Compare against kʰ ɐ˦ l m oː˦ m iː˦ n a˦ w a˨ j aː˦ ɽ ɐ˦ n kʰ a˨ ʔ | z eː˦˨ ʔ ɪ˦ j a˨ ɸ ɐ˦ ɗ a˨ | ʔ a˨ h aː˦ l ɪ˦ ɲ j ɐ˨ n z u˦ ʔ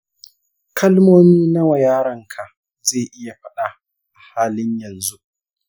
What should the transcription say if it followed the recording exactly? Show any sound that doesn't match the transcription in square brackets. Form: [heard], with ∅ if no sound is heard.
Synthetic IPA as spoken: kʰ ɐ˦ l m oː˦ m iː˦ n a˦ w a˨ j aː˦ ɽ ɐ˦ [ŋ] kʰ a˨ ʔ | z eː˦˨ ʔ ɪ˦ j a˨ ɸ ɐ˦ ɗ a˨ | ʔ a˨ h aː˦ l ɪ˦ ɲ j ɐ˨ n z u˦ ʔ